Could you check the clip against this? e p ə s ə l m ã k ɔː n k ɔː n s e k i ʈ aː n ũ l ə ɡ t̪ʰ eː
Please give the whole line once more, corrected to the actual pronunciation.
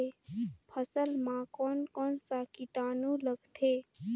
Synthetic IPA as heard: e pʰ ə s ə l m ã k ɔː n k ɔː n s a k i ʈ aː n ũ l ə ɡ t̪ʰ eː